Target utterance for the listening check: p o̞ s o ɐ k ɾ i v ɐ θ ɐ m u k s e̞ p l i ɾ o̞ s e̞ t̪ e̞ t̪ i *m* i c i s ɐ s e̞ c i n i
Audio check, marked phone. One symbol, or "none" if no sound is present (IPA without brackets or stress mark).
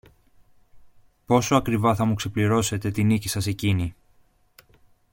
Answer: n